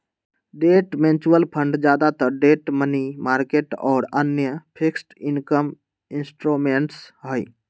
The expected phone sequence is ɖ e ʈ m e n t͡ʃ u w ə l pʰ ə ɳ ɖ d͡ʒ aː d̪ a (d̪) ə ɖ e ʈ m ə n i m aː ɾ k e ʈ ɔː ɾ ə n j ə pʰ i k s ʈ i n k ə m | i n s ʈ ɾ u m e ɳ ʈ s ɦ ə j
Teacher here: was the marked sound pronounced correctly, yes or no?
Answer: no